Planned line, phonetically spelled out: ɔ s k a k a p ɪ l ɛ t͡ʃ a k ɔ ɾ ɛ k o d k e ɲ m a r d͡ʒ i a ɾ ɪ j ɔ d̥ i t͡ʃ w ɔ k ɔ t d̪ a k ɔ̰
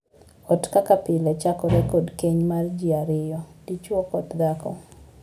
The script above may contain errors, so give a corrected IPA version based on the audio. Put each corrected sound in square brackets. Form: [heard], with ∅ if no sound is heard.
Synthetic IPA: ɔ [t] k a k a p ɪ l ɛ t͡ʃ a k ɔ ɾ ɛ k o d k e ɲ m a r d͡ʒ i a ɾ ɪ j ɔ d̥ i t͡ʃ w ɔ k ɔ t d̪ a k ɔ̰